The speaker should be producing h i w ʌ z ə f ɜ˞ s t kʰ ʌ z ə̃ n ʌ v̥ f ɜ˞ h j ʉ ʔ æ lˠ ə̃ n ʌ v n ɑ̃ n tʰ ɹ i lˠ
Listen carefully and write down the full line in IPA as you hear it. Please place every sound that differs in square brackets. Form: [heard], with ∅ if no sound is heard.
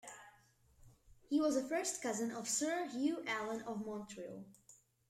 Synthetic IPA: h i w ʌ z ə f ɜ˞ s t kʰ ʌ z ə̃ n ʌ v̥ [s] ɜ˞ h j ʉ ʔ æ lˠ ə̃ n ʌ v [m] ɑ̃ n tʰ ɹ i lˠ